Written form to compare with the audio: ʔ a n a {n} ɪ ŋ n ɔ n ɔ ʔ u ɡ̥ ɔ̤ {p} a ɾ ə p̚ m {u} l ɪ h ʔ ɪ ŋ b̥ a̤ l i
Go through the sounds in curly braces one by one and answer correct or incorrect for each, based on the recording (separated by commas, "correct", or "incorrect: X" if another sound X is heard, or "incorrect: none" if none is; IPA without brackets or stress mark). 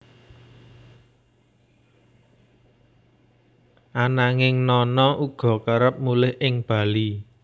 incorrect: ŋ, incorrect: k, correct